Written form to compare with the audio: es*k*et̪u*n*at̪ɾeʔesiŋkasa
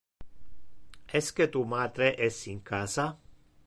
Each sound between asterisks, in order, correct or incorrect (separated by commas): correct, incorrect